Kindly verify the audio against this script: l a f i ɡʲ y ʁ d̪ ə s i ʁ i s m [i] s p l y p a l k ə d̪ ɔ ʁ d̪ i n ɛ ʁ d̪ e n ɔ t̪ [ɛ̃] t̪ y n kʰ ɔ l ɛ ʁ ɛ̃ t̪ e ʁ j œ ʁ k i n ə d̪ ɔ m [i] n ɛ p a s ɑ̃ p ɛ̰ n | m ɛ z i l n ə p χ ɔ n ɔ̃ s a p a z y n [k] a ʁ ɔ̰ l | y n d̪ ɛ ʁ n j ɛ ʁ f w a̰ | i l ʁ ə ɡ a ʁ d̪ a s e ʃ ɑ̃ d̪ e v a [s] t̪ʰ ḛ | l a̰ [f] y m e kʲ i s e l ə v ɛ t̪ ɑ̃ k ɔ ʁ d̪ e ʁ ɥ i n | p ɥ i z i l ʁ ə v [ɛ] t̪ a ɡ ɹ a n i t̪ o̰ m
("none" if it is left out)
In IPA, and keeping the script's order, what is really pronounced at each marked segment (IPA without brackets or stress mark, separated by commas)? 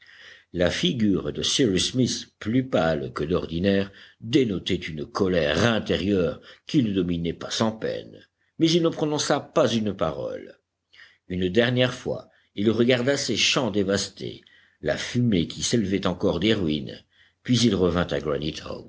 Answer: i, ɛ, i, p, s, f, ɛ̃